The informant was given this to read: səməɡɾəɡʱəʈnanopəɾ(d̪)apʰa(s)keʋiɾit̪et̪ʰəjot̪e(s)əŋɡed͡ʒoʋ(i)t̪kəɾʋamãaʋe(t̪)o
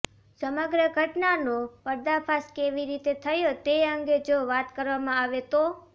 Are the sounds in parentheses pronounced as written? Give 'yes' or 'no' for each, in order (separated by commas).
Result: yes, yes, no, no, yes